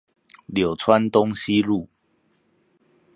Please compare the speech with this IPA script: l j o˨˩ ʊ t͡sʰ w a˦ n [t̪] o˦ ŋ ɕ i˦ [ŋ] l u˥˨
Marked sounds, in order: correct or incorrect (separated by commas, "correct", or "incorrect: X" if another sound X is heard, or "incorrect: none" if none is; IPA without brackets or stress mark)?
correct, incorrect: none